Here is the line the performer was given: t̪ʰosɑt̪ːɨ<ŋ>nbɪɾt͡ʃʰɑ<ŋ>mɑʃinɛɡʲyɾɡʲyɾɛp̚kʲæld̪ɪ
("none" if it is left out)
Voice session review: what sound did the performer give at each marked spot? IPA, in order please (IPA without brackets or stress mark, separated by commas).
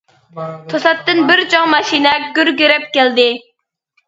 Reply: none, ŋ